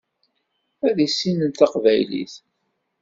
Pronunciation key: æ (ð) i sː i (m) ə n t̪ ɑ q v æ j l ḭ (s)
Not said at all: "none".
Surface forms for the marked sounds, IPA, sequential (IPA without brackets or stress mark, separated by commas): ð, n, θ